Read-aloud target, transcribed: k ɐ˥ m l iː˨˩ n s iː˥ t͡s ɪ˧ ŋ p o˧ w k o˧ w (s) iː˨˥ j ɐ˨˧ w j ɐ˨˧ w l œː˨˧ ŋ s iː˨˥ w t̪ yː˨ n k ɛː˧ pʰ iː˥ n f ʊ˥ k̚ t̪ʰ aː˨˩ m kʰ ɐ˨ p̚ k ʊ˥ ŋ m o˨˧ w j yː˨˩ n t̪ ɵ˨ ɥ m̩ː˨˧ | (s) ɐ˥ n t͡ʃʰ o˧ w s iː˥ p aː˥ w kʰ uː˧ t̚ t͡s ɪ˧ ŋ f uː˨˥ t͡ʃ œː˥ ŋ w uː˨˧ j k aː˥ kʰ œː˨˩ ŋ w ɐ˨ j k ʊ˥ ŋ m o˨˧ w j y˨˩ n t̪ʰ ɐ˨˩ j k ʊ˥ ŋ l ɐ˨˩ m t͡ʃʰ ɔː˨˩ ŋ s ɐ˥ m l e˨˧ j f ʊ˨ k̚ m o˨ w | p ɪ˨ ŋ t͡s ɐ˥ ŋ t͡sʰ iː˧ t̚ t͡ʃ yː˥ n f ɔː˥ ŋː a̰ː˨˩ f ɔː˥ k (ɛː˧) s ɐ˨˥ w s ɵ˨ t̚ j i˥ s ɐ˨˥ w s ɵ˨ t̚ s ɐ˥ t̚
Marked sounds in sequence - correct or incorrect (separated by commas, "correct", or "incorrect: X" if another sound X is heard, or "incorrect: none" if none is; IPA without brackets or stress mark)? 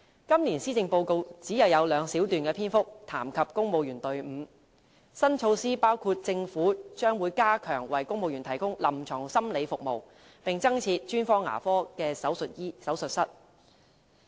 incorrect: t͡s, correct, correct